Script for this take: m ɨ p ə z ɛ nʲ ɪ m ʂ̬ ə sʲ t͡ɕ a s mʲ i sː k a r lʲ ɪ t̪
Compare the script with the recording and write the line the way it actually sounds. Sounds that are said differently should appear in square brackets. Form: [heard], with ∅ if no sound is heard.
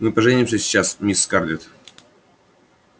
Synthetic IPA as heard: m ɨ p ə [ʐ] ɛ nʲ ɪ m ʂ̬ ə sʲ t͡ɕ a s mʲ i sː k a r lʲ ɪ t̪